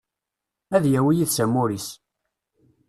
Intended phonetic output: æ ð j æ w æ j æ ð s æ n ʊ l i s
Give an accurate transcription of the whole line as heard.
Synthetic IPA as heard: æ ð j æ w i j i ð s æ m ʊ ɾ i s